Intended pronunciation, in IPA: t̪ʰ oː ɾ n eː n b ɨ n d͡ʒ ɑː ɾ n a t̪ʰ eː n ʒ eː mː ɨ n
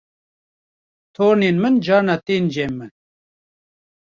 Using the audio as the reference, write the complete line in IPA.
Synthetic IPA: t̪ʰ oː ɾ n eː n m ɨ n d͡ʒ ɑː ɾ n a t̪ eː n d͡ʒ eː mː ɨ n